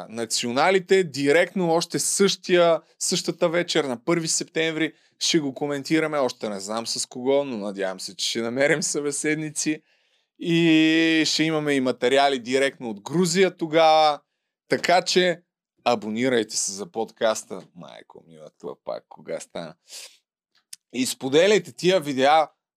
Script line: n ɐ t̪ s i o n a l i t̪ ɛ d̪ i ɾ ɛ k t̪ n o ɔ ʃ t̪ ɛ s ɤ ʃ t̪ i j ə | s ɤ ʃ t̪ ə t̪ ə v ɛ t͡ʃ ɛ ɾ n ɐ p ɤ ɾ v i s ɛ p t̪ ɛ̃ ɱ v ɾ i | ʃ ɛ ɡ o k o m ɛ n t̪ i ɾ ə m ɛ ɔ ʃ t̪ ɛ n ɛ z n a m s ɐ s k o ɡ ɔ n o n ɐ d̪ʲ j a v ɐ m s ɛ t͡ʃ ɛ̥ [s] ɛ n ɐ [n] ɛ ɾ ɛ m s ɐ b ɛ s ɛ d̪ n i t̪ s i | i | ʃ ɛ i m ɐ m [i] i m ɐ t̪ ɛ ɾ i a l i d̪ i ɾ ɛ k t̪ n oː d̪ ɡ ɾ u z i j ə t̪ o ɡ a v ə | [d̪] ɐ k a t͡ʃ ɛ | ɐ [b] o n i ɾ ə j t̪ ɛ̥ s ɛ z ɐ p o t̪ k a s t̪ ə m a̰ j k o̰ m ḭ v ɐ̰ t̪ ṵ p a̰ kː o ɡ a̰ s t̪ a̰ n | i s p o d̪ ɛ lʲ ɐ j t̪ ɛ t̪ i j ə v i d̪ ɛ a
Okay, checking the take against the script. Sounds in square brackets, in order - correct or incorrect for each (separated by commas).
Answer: incorrect, incorrect, incorrect, incorrect, correct